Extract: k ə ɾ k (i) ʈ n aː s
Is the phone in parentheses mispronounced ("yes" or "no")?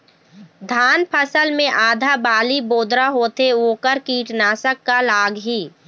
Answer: yes